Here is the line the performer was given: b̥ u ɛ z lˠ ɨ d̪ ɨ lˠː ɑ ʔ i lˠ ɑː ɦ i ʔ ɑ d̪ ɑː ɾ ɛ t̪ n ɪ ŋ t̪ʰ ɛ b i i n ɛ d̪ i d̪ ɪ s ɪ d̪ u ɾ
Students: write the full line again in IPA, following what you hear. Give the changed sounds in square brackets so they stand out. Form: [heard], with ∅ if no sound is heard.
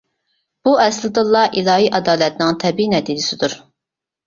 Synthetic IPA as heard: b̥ u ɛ [s] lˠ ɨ d̪ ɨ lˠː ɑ ʔ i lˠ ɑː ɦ i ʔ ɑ d̪ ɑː [l] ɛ t̪ n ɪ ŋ t̪ʰ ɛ b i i n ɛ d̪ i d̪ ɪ s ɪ d̪ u ɾ